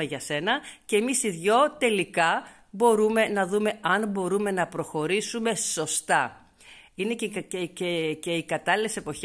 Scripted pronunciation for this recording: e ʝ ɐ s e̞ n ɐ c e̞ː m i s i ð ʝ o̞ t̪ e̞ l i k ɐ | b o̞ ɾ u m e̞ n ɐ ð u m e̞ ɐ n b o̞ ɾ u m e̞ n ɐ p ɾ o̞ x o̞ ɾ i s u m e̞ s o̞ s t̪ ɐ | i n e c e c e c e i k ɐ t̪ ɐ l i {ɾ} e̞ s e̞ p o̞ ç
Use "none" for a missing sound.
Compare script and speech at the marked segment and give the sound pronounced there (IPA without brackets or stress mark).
l